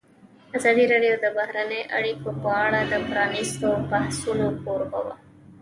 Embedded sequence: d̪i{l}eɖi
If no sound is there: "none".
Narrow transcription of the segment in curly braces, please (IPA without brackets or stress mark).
ɾ